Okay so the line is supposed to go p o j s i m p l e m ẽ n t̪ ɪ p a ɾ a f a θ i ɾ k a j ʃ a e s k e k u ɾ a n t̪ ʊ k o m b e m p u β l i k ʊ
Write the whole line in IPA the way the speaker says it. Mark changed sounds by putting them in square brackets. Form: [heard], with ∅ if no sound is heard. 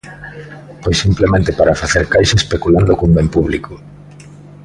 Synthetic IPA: p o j s i m p l e m ẽ n t̪ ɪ p a ɾ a f a θ [e] ɾ k a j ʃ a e s [p] e k u [l] a n [d̪] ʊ k o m b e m p u β l i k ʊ